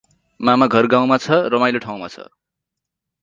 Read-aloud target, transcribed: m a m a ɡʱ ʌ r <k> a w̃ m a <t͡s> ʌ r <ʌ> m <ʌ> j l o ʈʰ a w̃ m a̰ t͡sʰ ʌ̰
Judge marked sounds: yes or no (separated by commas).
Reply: no, no, yes, no